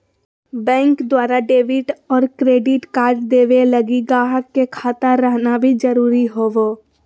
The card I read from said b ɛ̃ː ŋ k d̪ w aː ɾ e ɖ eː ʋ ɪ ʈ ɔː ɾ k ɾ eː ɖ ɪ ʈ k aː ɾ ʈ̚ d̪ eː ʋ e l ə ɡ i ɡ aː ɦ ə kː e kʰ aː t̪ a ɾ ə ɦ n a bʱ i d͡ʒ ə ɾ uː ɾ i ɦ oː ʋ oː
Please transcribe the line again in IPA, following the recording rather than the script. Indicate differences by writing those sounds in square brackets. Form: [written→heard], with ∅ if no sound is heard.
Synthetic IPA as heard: b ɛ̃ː ŋ k d̪ w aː ɾ [e→a] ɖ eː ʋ ɪ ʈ ɔː ɾ k ɾ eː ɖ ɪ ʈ k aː ɾ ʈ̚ d̪ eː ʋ e l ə ɡ i ɡ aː ɦ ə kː e kʰ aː t̪ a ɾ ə ɦ n a bʱ i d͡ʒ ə ɾ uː ɾ i ɦ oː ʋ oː